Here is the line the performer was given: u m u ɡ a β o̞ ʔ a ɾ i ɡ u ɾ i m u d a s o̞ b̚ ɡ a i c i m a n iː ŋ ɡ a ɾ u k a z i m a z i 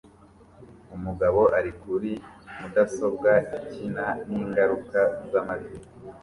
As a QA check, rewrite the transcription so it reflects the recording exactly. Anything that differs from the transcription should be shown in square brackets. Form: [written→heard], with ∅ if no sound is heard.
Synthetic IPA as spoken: u m u ɡ a β o̞ ʔ a ɾ i [ɡ→k] u ɾ i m u d a s o̞ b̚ ɡ a i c i [m→n] a n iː ŋ ɡ a ɾ u k a z [i→a] m a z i